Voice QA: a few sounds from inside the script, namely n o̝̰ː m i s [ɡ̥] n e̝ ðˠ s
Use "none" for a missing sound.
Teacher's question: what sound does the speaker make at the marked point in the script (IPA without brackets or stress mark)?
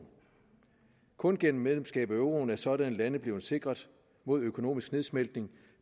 ɡ̥